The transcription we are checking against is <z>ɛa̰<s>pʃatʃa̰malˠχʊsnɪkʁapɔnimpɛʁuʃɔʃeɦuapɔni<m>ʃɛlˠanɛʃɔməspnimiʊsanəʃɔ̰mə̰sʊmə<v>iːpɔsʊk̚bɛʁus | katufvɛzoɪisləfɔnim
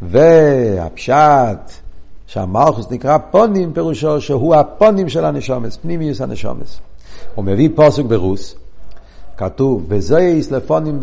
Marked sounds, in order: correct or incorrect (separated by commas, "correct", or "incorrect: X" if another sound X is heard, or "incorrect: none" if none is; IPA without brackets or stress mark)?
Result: incorrect: v, incorrect: none, correct, correct